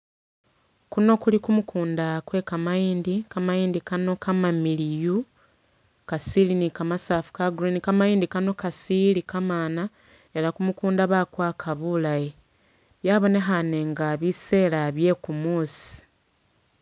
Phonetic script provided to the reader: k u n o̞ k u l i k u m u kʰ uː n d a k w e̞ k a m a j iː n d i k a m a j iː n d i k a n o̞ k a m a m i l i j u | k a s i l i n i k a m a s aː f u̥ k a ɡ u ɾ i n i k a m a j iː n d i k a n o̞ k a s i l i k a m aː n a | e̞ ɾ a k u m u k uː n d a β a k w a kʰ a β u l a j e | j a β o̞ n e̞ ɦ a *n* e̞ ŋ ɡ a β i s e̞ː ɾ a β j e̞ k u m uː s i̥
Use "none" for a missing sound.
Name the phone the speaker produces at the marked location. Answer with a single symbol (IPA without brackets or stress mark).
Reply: n